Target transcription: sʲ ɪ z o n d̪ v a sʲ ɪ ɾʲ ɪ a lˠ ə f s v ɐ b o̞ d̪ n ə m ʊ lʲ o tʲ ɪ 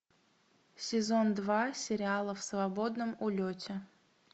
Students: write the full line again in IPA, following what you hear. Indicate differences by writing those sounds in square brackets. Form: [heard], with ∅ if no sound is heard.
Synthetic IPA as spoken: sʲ ɪ z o n d̪ v a sʲ ɪ ɾʲ ɪ a lˠ ə f s v ɐ b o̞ d̪ n ə m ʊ lʲ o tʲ ɪ